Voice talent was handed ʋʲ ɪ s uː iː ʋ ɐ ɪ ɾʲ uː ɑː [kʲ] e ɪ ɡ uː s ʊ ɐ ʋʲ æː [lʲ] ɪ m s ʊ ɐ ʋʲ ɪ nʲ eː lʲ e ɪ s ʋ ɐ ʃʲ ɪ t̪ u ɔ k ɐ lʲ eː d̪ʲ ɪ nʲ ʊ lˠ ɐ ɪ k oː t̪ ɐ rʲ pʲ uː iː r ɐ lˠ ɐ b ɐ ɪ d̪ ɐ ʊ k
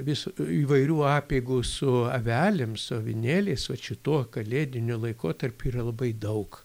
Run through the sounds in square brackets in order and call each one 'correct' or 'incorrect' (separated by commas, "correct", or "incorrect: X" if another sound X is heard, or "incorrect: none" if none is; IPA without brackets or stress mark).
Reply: incorrect: pʲ, correct